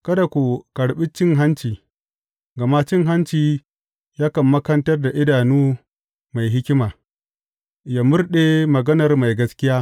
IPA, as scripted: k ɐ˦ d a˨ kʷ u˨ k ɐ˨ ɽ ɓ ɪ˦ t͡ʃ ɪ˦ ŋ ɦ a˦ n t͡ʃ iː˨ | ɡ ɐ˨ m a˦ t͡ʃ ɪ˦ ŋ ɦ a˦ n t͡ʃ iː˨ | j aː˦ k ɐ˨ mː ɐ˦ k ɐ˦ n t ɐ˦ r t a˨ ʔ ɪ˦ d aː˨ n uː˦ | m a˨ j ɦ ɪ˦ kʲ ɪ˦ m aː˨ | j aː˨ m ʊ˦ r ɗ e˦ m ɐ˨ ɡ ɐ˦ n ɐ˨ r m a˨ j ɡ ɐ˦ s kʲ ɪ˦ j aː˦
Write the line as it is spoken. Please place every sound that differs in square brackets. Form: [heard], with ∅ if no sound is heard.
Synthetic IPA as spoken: k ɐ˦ d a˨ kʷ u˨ k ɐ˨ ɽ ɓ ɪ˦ t͡ʃ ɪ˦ ŋ ɦ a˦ n t͡ʃ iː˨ | ɡ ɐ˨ m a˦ t͡ʃ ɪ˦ ŋ ɦ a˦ n t͡ʃ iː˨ | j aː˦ k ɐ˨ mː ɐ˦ k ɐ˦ n t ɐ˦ r [d] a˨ ʔ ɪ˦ d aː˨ n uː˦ | m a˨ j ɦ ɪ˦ kʲ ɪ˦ m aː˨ | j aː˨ m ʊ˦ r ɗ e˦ m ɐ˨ ɡ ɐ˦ n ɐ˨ r m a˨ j ɡ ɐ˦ s kʲ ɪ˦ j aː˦

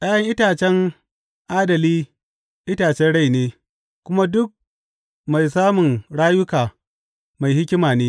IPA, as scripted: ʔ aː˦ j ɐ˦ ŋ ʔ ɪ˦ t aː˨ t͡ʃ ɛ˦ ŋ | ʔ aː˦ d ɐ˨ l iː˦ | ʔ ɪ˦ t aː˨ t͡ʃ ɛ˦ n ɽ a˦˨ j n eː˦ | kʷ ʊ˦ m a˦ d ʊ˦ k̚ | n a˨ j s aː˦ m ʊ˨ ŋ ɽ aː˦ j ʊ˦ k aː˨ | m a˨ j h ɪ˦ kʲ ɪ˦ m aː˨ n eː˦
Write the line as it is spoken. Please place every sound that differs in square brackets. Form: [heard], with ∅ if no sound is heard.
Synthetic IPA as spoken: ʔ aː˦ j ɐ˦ ŋ ʔ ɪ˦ t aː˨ t͡ʃ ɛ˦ ŋ | ʔ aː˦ d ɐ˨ l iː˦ | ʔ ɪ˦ t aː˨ t͡ʃ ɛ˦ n ɽ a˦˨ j n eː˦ | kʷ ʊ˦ m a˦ d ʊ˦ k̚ | [m] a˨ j s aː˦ m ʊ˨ ŋ ɽ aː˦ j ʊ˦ k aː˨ | m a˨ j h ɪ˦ kʲ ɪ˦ m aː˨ n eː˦

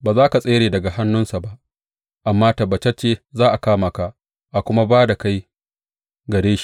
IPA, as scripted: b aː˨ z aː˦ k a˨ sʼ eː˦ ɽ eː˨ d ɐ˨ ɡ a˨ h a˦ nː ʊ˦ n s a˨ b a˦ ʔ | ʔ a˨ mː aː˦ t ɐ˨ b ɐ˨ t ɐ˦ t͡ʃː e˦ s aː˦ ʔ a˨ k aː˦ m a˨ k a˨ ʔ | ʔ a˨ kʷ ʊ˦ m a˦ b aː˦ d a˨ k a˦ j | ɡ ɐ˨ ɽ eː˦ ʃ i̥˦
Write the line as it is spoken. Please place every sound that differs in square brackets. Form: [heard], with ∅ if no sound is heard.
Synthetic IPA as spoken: b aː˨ z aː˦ k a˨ sʼ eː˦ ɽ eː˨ d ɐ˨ ɡ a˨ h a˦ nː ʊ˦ n s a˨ b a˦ ʔ | ʔ a˨ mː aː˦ t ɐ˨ b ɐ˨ [t͡ʃ] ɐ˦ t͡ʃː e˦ [z] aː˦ ʔ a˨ k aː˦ m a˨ k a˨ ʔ | ʔ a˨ kʷ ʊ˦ m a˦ b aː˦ d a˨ k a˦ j | ɡ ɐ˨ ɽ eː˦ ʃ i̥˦

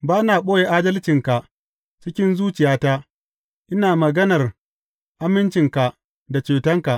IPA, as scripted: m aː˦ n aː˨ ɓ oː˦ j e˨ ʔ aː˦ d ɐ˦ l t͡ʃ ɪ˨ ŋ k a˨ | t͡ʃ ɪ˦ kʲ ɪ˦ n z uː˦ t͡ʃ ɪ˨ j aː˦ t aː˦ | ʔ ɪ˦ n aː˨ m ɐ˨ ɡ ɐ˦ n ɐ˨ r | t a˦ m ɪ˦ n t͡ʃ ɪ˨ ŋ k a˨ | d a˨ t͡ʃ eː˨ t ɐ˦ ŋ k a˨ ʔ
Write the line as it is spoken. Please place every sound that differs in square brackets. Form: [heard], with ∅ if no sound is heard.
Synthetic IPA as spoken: [b] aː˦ n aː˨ ɓ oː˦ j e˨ ʔ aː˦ d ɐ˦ l t͡ʃ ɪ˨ ŋ k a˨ | t͡ʃ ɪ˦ kʲ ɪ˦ n z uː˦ t͡ʃ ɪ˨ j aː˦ t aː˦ | ʔ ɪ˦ n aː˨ m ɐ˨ ɡ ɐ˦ n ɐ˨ r | [ʔ] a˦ m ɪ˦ n t͡ʃ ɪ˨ ŋ k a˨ | d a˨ t͡ʃ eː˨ t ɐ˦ ŋ k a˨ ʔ

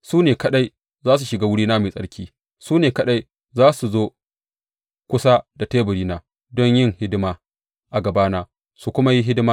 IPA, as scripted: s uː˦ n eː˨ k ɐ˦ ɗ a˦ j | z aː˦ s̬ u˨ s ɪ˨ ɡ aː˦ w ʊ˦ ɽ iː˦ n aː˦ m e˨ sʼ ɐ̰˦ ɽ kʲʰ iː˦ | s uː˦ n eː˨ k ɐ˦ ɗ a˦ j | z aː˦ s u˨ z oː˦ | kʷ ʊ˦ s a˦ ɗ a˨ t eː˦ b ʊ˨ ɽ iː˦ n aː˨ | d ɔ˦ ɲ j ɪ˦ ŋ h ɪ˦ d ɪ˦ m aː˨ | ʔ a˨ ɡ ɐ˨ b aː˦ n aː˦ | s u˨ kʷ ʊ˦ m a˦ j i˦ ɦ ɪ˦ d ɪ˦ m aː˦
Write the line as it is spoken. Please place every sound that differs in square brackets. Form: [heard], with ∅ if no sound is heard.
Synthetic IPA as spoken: s uː˦ n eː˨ k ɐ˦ ɗ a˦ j | z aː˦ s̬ u˨ [ʃ] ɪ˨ ɡ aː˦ w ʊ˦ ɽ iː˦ n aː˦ m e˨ sʼ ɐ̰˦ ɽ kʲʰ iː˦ | s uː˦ n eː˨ k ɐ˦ ɗ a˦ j | z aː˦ s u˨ z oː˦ | kʷ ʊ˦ s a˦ [d] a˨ t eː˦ b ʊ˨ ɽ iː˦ n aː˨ | d ɔ˦ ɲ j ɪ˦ ŋ h ɪ˦ d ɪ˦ m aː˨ | ʔ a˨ ɡ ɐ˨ b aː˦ n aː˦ | s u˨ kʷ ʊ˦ m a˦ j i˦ ɦ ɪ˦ d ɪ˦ m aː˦

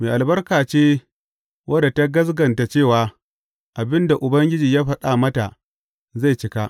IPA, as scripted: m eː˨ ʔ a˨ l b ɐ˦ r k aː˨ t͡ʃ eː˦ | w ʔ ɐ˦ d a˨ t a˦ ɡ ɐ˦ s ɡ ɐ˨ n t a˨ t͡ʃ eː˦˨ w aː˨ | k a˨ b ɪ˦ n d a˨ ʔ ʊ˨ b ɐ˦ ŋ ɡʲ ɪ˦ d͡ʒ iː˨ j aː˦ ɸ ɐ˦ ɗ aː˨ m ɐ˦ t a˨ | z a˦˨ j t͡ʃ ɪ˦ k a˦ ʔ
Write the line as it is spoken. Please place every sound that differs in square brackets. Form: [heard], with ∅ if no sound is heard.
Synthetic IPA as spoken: m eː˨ ʔ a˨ l b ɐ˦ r k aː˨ t͡ʃ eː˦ | w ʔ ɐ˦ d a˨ t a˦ ɡ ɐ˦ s ɡ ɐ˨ n t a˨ t͡ʃ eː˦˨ w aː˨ | [ʔ] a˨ b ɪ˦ n d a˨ ʔ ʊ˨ b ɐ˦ ŋ ɡʲ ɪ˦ d͡ʒ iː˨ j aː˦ ɸ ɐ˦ ɗ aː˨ m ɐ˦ t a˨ | z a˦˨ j t͡ʃ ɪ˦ k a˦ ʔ

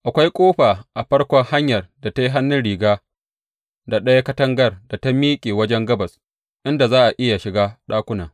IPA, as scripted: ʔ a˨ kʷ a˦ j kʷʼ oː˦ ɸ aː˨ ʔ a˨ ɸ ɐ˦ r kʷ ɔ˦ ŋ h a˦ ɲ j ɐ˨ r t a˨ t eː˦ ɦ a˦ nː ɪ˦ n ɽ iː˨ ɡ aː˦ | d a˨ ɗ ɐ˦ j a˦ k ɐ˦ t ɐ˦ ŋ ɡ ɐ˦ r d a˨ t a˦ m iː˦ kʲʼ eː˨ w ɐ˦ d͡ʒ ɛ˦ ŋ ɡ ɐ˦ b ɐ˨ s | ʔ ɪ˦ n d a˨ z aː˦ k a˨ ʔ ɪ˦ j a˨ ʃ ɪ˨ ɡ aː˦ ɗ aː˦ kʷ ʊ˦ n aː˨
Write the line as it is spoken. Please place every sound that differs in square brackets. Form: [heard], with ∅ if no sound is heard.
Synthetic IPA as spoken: ʔ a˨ kʷ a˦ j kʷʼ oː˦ ɸ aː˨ ʔ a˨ ɸ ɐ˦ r kʷ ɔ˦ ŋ h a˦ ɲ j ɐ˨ r [d] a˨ t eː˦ ɦ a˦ nː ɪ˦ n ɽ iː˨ ɡ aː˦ | d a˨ ɗ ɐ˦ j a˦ k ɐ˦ t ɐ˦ ŋ ɡ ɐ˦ r d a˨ t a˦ m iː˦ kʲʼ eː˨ w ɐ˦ d͡ʒ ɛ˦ ŋ ɡ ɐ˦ b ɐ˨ s | ʔ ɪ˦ n d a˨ z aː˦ [ʔ] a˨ ʔ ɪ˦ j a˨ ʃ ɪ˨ ɡ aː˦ ɗ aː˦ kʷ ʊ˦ n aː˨

